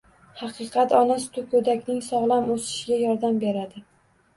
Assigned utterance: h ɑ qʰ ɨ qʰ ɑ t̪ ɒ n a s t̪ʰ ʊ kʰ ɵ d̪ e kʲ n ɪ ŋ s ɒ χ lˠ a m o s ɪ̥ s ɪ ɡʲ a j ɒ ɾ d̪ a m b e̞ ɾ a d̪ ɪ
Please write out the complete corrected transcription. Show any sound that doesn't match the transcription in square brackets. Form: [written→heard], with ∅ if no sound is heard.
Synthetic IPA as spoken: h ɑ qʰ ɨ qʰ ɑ t̪ ɒ n a s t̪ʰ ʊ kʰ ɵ d̪ [e→a] kʲ n ɪ ŋ s ɒ [χ→ʁ] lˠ a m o s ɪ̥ [s→ʃ] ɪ ɡʲ a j ɒ ɾ d̪ a m b e̞ ɾ a d̪ ɪ